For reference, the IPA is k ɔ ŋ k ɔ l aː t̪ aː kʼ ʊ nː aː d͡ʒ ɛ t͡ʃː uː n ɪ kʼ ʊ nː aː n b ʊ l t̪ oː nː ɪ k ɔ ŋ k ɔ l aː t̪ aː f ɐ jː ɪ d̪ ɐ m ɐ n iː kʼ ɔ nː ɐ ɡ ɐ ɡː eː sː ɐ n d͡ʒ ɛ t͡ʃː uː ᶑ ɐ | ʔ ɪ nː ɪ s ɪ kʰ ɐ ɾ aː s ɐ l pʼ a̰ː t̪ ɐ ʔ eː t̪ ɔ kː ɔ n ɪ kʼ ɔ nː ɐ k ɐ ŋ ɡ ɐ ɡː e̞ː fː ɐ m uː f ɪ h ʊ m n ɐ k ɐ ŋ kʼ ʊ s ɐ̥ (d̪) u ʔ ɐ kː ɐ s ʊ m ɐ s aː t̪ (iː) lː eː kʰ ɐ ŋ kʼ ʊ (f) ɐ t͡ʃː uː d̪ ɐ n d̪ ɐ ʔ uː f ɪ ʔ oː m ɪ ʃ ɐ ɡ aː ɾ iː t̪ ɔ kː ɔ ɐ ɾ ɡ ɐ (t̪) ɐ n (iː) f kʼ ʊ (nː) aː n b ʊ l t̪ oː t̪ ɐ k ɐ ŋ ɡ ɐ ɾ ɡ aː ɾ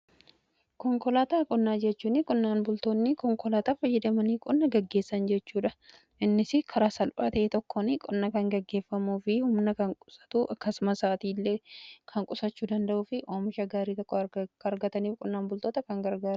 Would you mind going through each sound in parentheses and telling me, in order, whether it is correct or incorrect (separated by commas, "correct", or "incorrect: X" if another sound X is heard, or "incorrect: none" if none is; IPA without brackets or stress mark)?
incorrect: t̪, correct, incorrect: s, correct, correct, correct